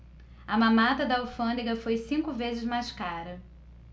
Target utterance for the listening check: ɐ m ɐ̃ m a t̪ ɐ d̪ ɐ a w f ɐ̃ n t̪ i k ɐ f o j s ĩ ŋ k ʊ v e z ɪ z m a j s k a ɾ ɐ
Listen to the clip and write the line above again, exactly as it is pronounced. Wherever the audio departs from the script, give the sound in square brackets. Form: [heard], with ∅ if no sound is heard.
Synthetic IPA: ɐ m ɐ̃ m a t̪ ɐ d̪ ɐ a w f ɐ̃ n [d̪] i [ɡ] ɐ f o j s ĩ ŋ k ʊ v e z ɪ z m a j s k a ɾ ɐ